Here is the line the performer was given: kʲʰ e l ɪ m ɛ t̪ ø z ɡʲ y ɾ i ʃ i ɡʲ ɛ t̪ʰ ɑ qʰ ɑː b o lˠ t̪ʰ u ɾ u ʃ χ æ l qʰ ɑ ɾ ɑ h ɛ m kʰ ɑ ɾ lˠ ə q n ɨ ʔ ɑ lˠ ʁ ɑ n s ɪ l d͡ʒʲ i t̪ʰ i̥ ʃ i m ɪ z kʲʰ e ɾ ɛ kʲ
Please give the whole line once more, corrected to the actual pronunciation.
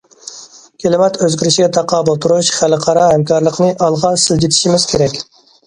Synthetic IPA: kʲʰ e l ɪ m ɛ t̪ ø z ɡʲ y ɾ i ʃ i ɡʲ ɛ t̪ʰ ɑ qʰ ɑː b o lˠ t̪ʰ u ɾ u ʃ χ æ l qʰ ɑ ɾ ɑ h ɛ m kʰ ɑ ɾ lˠ ə q n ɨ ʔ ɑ lˠ ʁ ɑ n s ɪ l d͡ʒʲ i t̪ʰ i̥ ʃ i m ɪ z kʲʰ e ɾ ɛ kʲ